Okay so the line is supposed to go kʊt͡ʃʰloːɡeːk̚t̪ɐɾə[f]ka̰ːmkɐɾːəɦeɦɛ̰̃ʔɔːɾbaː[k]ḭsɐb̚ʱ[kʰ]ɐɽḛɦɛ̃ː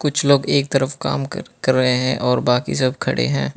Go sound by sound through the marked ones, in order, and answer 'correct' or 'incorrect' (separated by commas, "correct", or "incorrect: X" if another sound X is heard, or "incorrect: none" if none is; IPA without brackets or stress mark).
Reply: correct, correct, correct